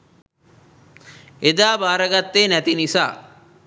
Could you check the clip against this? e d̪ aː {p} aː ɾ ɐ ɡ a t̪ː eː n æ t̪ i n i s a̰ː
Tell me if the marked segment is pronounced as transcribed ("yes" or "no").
no